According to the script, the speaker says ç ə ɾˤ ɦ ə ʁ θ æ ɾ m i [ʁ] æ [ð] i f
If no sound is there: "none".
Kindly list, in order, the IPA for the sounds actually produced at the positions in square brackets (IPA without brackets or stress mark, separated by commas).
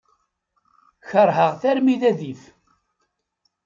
ð, ð